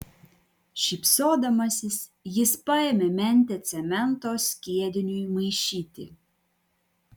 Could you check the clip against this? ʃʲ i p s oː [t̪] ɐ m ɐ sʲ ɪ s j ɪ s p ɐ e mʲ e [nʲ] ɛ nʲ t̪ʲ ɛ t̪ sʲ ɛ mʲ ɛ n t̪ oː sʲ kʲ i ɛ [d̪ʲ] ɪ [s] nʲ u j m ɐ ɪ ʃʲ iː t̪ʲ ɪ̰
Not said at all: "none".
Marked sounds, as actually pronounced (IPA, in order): d̪, mʲ, d̪ʲ, none

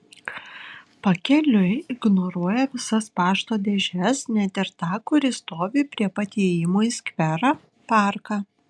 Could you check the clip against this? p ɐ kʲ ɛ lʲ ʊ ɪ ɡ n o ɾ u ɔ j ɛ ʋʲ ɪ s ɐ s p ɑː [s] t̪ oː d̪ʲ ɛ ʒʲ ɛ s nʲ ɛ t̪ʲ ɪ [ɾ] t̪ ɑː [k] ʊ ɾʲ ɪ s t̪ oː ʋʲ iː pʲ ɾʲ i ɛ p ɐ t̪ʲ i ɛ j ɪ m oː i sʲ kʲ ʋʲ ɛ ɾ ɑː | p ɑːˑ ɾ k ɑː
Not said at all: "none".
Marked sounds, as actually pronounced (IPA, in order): ʃ, ɾ, k

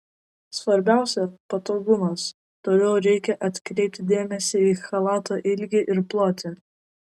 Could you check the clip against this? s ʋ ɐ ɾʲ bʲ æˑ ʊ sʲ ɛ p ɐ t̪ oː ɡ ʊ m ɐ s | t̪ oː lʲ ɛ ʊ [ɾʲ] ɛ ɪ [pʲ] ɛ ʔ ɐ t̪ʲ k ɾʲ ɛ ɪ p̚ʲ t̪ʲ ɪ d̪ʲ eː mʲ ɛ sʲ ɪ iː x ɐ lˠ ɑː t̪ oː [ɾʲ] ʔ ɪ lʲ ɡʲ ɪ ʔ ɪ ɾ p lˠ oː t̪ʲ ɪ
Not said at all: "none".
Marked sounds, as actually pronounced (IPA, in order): ɾʲ, kʲ, none

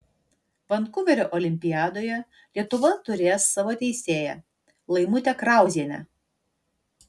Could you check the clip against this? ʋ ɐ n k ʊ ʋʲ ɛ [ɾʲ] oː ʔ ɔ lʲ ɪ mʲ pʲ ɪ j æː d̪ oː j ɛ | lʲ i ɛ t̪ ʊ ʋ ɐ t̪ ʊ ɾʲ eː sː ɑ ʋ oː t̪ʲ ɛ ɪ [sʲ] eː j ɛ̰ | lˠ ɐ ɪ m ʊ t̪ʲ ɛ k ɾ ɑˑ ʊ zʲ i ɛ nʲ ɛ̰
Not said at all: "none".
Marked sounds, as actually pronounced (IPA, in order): ɾʲ, sʲ

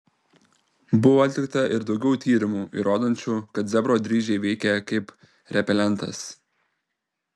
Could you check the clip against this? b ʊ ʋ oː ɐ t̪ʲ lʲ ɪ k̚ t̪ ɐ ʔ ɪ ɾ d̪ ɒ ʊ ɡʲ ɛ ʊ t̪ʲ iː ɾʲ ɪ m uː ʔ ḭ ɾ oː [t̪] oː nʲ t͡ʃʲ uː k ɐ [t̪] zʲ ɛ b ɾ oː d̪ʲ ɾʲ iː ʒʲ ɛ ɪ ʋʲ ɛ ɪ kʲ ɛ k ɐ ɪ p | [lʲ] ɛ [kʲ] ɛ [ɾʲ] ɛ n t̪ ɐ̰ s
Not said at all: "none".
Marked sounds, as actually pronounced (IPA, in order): d̪, t̪, ɾʲ, pʲ, lʲ

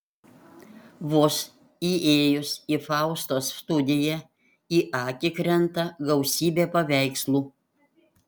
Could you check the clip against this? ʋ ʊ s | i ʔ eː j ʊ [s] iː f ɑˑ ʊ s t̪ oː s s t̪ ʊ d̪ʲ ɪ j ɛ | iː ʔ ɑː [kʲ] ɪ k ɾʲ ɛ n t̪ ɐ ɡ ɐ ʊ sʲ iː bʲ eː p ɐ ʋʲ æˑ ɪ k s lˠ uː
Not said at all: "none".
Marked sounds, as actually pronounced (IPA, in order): s, kʲ

